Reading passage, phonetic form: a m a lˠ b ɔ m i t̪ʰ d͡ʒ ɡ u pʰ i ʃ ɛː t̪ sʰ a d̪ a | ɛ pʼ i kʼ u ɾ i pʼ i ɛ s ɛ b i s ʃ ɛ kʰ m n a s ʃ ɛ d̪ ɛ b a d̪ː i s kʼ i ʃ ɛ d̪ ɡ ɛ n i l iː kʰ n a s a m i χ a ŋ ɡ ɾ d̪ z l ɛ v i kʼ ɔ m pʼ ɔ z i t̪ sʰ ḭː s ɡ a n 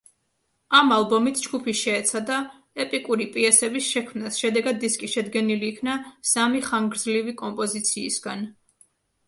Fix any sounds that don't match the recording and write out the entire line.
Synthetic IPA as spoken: a m a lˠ b ɔ m i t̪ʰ d͡ʒ ɡ u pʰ i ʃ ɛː t̪ sʰ a d̪ a | ɛ pʼ i kʼ u ɾ i pʼ i ɛ s ɛ b i s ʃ ɛ kʰ m n a s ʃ ɛ d̪ ɛ ɡ a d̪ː i s kʼ i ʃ ɛ d̪ ɡ ɛ n i l iː kʰ n a s a m i χ a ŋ ɡ ɾ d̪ z l i v i kʼ ɔ m pʼ ɔ z i t̪ sʰ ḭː s ɡ a n